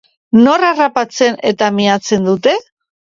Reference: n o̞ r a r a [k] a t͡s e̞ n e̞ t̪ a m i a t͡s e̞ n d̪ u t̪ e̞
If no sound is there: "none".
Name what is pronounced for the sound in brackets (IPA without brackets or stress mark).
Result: p